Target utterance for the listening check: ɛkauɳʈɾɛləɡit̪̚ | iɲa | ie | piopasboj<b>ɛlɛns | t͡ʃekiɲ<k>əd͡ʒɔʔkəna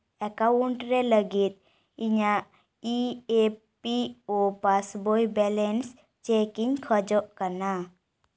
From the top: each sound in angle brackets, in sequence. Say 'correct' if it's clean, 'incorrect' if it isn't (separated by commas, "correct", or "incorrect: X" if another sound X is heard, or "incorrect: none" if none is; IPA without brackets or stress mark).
correct, incorrect: kʰ